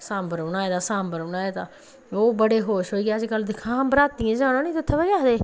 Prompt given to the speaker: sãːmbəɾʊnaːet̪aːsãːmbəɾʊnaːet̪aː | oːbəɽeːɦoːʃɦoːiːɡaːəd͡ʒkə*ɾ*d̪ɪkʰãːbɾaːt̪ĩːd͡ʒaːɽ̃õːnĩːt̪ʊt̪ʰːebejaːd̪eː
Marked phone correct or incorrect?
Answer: incorrect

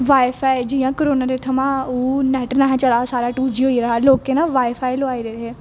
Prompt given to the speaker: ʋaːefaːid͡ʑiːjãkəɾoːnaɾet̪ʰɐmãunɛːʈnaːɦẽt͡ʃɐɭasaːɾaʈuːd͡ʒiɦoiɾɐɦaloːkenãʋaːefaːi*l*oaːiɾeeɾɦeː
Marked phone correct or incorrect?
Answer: correct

